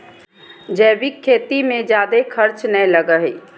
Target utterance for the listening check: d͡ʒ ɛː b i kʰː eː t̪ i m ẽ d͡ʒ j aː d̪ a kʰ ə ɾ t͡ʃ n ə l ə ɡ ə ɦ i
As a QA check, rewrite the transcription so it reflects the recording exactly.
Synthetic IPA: d͡ʒ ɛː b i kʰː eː t̪ i m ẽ d͡ʒ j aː d̪ e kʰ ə ɾ t͡ʃ n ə l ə ɡ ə ɦ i